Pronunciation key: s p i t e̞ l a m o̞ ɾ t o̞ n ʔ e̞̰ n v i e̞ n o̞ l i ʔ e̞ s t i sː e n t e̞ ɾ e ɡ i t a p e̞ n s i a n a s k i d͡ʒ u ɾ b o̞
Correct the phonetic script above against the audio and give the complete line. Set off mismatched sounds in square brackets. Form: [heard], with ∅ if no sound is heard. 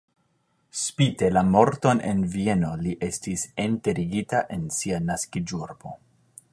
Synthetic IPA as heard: s p i t e̞ l a m o̞ ɾ t o̞ n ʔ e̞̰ n v i e̞ n o̞ l i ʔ e̞ s t i [s] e n t e̞ ɾ [i] ɡ i t a [ʔ] e̞ n s i a n a s k i d͡ʒ u ɾ b o̞

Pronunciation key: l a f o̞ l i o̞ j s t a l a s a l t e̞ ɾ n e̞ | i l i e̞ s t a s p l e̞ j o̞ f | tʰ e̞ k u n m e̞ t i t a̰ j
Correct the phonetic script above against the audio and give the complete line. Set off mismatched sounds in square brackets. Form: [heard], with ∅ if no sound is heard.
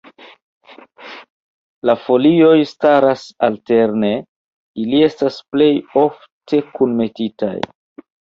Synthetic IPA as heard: l a f o̞ l i o̞ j s t a [ɾ] a s a l t e̞ ɾ n e̞ | i l i e̞ s t a s p l e̞ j o̞ f | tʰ e̞ k u n m e̞ t i t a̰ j

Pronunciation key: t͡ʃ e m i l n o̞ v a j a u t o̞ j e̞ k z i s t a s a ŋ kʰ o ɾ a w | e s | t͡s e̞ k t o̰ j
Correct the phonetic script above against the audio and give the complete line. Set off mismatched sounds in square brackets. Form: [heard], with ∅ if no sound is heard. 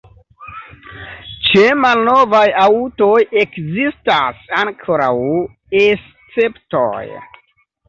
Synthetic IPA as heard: t͡ʃ e m [a] l n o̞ v a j a u t o̞ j e̞ k z i s t a s a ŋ kʰ o ɾ a w | e s | t͡s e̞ [p] t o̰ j

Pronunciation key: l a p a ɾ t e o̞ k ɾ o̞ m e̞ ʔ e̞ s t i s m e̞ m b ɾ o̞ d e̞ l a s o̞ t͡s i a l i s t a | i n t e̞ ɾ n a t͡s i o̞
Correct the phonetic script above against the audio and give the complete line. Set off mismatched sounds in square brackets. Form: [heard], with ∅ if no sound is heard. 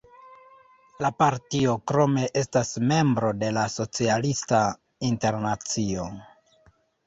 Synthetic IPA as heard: l a p a ɾ t [i] o̞ k ɾ o̞ m e̞ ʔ e̞ s t [a] s m e̞ m b ɾ o̞ d e̞ l a s o̞ t͡s i a l i s t a | i n t e̞ ɾ n a t͡s i o̞

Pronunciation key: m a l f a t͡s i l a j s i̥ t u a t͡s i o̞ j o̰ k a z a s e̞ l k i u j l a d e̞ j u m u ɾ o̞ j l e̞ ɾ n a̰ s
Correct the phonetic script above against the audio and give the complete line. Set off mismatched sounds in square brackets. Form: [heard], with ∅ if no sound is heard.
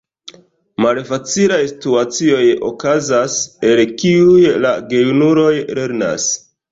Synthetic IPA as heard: m a l f a t͡s i l a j s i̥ t u a t͡s i o̞ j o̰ k a z a s e̞ l k i u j l a [ɡ] e̞ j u [n] u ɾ o̞ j l e̞ ɾ n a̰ s

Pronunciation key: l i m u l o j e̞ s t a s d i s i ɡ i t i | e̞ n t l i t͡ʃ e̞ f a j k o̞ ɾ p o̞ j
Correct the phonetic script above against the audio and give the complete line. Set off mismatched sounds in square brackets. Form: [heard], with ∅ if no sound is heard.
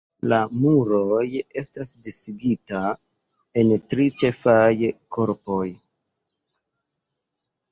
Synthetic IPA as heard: l [a] m u [ɾ] o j e̞ s t a s d i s i ɡ i t [a] | e̞ n t [ɾ] i t͡ʃ e̞ f a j k o̞ ɾ p o̞ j

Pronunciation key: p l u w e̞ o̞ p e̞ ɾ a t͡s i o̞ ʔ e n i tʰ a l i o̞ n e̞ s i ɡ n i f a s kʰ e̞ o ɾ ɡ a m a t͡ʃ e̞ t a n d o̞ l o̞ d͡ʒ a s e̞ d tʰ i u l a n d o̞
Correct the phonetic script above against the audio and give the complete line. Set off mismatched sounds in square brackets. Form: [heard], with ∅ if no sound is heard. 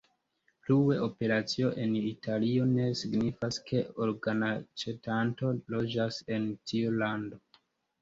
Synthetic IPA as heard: p l u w e̞ o̞ p e̞ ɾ a t͡s i o̞ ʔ e n i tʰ a l i o̞ n e̞ s i ɡ n i f a s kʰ e̞ o ɾ ɡ a [n] a t͡ʃ e̞ t a n [t] o̞ l o̞ d͡ʒ a s e̞ [n] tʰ i u l a n d o̞

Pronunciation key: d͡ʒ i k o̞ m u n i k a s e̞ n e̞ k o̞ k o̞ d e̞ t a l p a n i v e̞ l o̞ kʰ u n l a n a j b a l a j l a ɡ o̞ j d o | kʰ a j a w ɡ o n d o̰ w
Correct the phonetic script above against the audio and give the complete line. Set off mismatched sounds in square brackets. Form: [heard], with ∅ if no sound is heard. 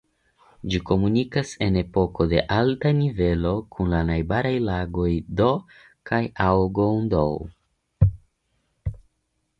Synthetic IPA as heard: d͡ʒ i k o̞ m u n i k a s e̞ n e̞ [p] o̞ k o̞ d e̞ [ʔ] a l [t] a n i v e̞ l o̞ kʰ u n l a n a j b a [ɾ] a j l a ɡ o̞ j d o | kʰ a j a w ɡ o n d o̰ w

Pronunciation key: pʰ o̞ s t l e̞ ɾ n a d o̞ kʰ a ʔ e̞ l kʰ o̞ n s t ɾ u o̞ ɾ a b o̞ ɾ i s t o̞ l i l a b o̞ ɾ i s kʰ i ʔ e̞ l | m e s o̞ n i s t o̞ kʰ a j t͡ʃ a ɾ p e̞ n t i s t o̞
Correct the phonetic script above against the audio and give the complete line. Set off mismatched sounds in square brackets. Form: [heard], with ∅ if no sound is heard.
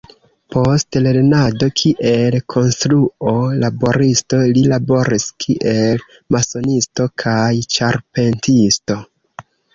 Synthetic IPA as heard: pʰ o̞ s t l e̞ ɾ n a d o̞ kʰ [i] ʔ e̞ l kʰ o̞ n s t ɾ u o̞ [l] a b o̞ ɾ i s t o̞ l i l a b o̞ ɾ i s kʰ i ʔ e̞ l | m [a] s o̞ n i s t o̞ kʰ a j t͡ʃ a ɾ p e̞ n t i s t o̞

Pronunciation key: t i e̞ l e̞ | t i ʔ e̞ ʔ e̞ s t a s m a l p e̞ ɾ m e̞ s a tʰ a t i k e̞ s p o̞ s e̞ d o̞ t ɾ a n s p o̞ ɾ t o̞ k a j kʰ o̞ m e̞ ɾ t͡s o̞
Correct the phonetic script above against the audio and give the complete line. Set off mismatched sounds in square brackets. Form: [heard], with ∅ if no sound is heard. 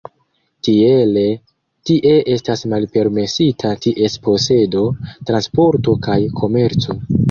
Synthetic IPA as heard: t i e̞ l e̞ | t i ʔ e̞ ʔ e̞ s t a s m a l p e̞ ɾ m e̞ s [i] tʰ a t i [ʔ] e̞ s p o̞ s e̞ d o̞ t ɾ a n s p o̞ ɾ t o̞ k a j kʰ o̞ m e̞ ɾ t͡s o̞

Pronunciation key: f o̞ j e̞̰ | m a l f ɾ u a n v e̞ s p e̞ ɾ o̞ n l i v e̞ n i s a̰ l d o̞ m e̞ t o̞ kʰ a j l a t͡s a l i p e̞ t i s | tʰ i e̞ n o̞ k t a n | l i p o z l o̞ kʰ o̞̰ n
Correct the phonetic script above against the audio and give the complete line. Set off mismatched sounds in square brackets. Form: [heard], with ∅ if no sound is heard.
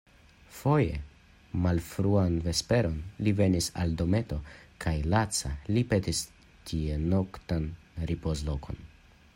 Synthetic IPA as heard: f o̞ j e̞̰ | m a l f ɾ u a n v e̞ s p e̞ ɾ o̞ n l i v e̞ n i s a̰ l d o̞ m e̞ t o̞ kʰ a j l a t͡s a l i p e̞ t i s | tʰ i e̞ n o̞ k t a n | [ɾ] i p o z l o̞ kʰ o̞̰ n

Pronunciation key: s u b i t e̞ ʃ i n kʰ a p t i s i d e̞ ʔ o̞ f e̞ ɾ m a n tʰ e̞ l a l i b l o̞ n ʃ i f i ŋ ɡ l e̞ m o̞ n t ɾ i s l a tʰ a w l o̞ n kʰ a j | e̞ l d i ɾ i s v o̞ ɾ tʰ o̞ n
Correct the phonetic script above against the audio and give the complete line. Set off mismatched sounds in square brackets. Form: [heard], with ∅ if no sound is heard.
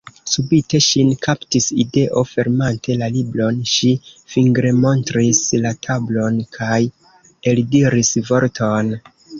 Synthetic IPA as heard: s u b i t e̞ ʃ i n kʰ a p t i s i d e̞ ʔ o̞ f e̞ ɾ m a n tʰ e̞ l a l i b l o̞ n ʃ i f i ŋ ɡ [ɾ] e̞ m o̞ n t ɾ i s l a tʰ a [b] l o̞ n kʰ a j | e̞ l d i ɾ i s v o̞ ɾ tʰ o̞ n

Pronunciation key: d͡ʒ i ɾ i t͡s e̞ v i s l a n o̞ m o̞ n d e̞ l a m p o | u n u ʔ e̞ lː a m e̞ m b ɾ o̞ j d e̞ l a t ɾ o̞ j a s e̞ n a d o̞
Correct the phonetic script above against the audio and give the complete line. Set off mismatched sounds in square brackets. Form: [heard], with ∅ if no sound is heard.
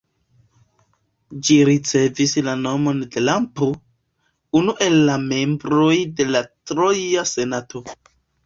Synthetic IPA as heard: d͡ʒ i ɾ i t͡s e̞ v i s l a n o̞ m o̞ n d e̞ l a m p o | u n u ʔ e̞ lː a m e̞ m b ɾ o̞ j d e̞ l a t ɾ o̞ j a s e̞ n a [t] o̞

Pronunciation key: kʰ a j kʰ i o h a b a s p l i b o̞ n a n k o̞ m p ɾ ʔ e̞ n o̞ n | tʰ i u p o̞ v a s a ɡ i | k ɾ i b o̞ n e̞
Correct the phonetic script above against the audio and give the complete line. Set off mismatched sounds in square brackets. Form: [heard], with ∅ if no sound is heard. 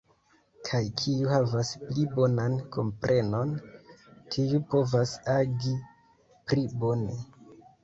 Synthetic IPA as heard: kʰ a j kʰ i [u] h a [v] a s p l i b o̞ n a n k o̞ m p ɾ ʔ e̞ n o̞ n | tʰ i u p o̞ v a s a ɡ i | [p] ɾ i b o̞ n e̞

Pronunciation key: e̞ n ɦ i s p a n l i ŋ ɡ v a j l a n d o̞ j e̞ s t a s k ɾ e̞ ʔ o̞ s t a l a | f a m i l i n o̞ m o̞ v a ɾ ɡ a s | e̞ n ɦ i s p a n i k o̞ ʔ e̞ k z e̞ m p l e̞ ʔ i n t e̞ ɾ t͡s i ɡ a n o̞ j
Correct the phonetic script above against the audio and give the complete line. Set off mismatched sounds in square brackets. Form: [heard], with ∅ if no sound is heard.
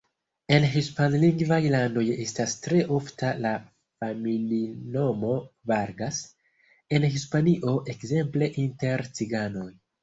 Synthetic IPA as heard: e̞ n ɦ i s p a n l i ŋ ɡ v a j l a n d o̞ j e̞ s t a s [t] ɾ e̞ ʔ o̞ [f] t a l a | f a m i l i n o̞ m o̞ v a ɾ ɡ a s | e̞ n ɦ i s p a n i [ʔ] o̞ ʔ e̞ k z e̞ m p l e̞ ʔ i n t e̞ ɾ t͡s i ɡ a n o̞ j

